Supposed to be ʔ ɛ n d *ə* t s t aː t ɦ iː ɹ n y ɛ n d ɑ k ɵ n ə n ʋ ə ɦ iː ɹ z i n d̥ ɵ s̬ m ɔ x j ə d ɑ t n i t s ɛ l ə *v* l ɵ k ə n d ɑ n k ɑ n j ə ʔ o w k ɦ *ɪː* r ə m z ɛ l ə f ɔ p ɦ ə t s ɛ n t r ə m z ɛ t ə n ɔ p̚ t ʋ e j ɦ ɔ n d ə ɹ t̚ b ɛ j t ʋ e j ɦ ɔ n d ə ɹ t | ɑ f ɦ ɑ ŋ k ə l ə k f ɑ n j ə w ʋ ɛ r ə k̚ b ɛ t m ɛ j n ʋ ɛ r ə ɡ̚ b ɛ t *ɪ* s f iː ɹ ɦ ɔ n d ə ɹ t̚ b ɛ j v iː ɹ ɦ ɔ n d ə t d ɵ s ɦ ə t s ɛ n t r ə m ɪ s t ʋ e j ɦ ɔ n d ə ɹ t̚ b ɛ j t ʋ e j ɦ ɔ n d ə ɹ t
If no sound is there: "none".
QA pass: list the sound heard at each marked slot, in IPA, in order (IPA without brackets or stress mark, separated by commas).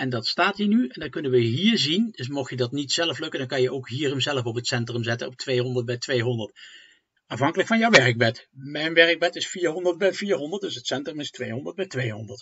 ɑ, f, iː, ɪ